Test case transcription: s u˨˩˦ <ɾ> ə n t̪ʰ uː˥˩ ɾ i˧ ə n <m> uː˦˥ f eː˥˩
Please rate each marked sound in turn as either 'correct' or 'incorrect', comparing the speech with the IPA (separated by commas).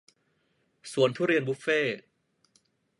incorrect, incorrect